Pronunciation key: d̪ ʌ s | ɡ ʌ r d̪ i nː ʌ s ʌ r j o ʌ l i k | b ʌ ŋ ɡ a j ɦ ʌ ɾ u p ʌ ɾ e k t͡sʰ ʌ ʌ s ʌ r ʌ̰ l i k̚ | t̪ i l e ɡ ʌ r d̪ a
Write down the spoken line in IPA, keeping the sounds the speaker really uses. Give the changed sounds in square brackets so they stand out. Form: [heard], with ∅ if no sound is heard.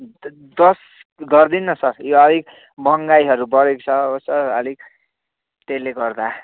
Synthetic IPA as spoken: d̪ ʌ s | ɡ ʌ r d̪ i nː ʌ s ʌ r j o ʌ l i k | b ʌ ŋ ɡ a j ɦ ʌ ɾ u [b] ʌ ɾ e k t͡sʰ ʌ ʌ s ʌ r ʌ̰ l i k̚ | t̪ [e] l e ɡ ʌ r d̪ a